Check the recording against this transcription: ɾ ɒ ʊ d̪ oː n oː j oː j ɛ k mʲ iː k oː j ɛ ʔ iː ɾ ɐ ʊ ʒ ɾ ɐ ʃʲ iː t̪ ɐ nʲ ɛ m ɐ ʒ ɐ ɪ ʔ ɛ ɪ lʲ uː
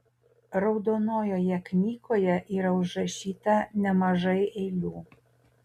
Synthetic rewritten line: ɾ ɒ ʊ d̪ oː n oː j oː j ɛ k nʲ iː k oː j ɛ ʔ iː ɾ ɐ ʊ ʒ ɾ ɐ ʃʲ iː t̪ ɐ nʲ ɛ m ɐ ʒ ɐ ɪ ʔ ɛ ɪ lʲ uː

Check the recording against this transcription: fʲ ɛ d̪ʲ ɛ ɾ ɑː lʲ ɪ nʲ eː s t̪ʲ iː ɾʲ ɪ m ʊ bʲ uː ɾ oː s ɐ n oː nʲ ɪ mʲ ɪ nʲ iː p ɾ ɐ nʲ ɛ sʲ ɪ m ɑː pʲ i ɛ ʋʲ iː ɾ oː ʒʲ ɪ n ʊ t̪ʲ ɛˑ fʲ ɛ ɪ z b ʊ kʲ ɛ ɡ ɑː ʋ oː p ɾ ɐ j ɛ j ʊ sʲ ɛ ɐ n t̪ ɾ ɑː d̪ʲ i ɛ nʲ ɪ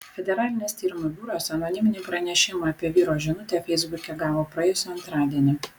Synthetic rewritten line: fʲ ɛ d̪ʲ ɛ ɾ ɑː lʲ ɪ nʲ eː s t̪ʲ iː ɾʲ ɪ m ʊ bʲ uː ɾ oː s ɐ n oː nʲ ɪ mʲ ɪ nʲ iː p ɾ ɐ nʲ ɛ ʃʲ ɪ m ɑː pʲ i ɛ ʋʲ iː ɾ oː ʒʲ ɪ n ʊ t̪ʲ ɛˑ fʲ ɛ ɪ z b ʊ kʲ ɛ ɡ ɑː ʋ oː p ɾ ɐ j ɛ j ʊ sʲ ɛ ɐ n t̪ ɾ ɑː d̪ʲ i ɛ nʲ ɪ

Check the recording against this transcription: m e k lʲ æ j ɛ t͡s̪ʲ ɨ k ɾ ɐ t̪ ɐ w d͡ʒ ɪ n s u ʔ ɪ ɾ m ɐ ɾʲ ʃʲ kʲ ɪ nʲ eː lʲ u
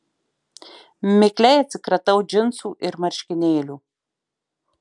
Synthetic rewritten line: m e k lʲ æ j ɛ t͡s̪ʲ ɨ k ɾ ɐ t̪ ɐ w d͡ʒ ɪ n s u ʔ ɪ ɾ m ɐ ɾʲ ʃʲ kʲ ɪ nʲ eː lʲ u

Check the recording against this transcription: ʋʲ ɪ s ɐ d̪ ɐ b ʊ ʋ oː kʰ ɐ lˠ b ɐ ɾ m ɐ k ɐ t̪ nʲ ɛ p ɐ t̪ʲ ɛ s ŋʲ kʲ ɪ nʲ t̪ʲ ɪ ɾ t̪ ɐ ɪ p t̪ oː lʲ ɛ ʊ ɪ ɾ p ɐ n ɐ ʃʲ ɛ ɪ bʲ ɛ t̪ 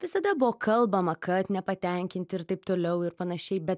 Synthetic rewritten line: ʋʲ ɪ s ɐ d̪ ɐ b ʊ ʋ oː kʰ ɐ lˠ b ɐ m ɐ k ɐ t̪ nʲ ɛ p ɐ t̪ʲ ɛ ŋʲ kʲ ɪ nʲ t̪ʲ ɪ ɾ t̪ ɐ ɪ p t̪ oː lʲ ɛ ʊ ɪ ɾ p ɐ n ɐ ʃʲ ɛ ɪ bʲ ɛ t̪

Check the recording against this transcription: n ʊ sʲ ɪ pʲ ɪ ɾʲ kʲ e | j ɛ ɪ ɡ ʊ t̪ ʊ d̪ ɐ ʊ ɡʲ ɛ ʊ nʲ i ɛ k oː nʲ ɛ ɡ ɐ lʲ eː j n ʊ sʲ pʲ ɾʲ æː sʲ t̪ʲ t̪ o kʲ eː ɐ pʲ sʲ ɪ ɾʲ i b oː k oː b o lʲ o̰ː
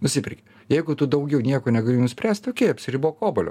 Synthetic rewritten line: n ʊ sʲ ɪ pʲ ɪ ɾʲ kʲ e | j ɛ ɪ ɡ ʊ t̪ ʊ d̪ ɐ ʊ ɡʲ ɛ ʊ nʲ i ɛ k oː nʲ ɛ ɡ ɐ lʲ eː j n ʊ sʲ pʲ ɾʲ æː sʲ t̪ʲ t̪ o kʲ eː ɐ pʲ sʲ ɪ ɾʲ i b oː k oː b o lʲ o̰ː

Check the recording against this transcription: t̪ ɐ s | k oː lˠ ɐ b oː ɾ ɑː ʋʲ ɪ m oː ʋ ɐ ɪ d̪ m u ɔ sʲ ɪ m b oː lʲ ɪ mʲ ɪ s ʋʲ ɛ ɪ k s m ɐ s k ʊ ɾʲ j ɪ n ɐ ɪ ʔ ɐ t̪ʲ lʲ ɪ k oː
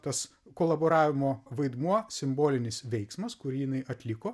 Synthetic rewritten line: t̪ ɐ s | k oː lˠ ɐ b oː ɾ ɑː ʋʲ ɪ m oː ʋ ɐ ɪ d̪ m u ɔ sʲ ɪ m b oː lʲ ɪ nʲ ɪ s ʋʲ ɛ ɪ k s m ɐ s k ʊ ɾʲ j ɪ n ɐ ɪ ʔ ɐ t̪ʲ lʲ ɪ k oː

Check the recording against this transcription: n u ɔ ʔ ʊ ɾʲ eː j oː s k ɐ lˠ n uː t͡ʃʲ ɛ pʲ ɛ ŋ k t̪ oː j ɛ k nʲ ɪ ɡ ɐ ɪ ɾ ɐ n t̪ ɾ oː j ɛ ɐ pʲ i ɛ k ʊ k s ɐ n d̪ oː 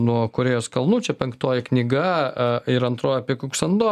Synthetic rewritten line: n u ɔ k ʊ ɾʲ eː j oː s k ɐ lˠ n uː t͡ʃʲ ɛ pʲ ɛ ŋ k t̪ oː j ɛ k nʲ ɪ ɡ ɐ ɪ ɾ ɐ n t̪ ɾ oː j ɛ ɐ pʲ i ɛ k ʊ k s ɐ n d̪ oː

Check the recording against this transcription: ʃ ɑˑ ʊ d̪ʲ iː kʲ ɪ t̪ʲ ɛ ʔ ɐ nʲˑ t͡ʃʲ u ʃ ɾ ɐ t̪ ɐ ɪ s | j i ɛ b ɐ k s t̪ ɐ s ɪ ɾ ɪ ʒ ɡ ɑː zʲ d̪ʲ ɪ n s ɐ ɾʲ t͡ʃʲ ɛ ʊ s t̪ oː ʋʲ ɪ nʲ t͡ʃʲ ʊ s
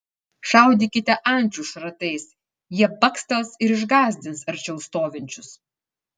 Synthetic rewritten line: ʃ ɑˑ ʊ d̪ʲ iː kʲ ɪ t̪ʲ ɛ ʔ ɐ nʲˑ t͡ʃʲ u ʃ ɾ ɐ t̪ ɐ ɪ s | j i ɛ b ɐ k s t̪ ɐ s ɪ ɾ ɪ ʒ ɡ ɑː zʲ d̪ʲ ɪ n s ɐ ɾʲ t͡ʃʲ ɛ ʊ s t̪ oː ʋʲ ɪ nʲ t͡ʃʲ ʊ s

